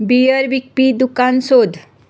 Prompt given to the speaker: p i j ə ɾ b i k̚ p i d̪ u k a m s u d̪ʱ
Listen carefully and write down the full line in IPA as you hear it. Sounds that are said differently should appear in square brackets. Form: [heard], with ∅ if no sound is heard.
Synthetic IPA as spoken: [b] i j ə ɾ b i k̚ p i d̪ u k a [n] s [o] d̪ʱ